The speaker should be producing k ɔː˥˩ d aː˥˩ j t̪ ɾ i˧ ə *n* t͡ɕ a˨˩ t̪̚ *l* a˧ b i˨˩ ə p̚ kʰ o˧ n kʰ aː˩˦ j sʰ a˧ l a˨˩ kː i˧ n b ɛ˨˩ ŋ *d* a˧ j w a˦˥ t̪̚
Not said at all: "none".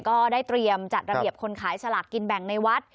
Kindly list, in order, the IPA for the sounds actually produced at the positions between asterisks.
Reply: m, ɾ, n

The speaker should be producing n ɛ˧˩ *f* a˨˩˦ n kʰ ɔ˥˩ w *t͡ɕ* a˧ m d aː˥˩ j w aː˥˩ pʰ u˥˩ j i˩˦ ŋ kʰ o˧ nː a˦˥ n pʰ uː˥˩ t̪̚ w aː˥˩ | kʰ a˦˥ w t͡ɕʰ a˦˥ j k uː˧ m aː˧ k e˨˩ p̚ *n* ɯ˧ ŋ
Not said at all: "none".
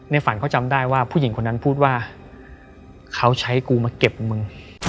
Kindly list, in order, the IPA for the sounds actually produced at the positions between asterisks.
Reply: f, t͡ɕ, m

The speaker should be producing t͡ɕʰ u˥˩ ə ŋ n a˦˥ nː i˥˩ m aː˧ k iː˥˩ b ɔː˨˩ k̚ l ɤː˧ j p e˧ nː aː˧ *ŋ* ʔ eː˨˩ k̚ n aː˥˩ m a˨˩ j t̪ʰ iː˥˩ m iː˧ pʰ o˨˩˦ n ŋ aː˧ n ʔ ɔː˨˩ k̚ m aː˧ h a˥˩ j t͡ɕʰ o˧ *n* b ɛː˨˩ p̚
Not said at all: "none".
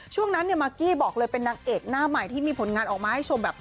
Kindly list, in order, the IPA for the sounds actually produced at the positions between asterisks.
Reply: ŋ, m

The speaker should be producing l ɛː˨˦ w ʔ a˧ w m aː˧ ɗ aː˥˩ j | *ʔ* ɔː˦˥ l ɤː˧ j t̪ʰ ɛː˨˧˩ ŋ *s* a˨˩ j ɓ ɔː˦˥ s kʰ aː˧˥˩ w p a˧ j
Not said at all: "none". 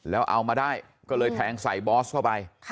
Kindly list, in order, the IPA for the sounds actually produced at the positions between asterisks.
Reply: k, s

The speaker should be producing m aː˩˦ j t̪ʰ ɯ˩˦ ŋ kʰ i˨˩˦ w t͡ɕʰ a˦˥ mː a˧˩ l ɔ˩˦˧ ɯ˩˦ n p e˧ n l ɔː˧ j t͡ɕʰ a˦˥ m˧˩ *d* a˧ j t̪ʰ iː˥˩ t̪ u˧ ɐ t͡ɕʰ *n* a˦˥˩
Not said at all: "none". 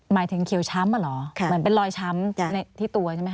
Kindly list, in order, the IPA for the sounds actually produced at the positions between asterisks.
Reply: n, m

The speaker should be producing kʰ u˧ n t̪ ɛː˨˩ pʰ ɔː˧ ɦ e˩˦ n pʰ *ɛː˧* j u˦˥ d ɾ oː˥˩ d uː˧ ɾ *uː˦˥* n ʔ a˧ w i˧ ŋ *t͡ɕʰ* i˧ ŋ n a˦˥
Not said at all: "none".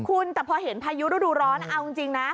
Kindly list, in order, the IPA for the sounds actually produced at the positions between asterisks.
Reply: aː˧, ɔː˦˥, t͡ɕ

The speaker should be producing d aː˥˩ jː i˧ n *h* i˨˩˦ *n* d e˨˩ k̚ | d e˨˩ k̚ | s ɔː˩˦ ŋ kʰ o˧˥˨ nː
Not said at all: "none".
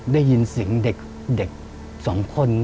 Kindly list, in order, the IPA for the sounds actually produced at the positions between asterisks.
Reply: s, ŋ

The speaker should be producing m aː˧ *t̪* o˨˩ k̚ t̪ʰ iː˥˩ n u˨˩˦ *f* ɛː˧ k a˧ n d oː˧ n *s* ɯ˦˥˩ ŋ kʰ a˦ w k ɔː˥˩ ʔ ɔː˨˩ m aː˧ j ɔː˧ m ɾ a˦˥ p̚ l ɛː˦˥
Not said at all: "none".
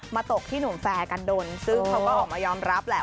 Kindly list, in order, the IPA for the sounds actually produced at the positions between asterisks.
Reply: t̪, f, s

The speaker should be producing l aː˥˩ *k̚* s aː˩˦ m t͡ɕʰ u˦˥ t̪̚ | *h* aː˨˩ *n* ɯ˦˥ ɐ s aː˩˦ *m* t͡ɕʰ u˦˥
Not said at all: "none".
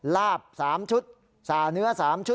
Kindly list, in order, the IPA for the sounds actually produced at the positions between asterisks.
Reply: p̚, s, n, m

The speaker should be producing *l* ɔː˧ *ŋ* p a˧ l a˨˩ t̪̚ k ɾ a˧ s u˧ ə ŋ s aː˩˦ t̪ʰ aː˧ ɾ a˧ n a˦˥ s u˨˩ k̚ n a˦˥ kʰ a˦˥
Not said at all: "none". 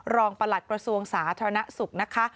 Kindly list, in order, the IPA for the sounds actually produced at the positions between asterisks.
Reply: ɾ, ŋ

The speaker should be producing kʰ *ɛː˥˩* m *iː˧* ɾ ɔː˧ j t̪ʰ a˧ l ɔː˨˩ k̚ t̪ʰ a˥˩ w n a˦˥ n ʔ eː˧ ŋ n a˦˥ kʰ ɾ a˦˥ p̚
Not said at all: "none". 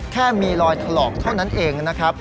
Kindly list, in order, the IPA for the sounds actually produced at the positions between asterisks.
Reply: ɛː˥˩, iː˧

